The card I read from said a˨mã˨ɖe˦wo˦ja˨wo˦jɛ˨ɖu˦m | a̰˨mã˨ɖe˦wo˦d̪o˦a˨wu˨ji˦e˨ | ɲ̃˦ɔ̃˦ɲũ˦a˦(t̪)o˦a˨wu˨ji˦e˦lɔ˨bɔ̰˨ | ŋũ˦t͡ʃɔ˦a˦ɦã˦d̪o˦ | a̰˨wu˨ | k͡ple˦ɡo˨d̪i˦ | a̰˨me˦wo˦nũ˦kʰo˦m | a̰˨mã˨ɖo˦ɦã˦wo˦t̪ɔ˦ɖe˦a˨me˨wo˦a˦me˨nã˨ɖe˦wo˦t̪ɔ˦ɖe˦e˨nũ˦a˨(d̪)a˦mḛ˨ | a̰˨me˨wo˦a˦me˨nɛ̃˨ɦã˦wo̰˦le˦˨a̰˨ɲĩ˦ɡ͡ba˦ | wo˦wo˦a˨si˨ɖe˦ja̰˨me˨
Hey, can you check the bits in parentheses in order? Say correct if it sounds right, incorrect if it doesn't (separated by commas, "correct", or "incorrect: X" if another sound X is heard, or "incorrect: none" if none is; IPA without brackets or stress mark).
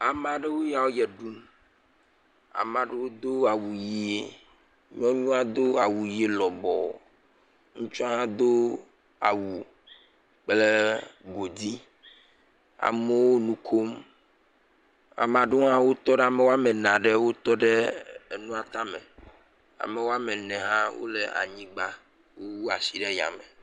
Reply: incorrect: d̪, incorrect: t̪